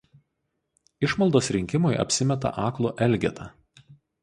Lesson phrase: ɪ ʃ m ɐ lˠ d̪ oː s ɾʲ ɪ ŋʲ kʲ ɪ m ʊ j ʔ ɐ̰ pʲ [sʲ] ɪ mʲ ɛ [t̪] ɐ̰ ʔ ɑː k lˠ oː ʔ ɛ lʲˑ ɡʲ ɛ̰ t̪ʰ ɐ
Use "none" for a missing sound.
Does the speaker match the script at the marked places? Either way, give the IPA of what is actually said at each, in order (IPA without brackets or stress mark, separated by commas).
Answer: sʲ, t̪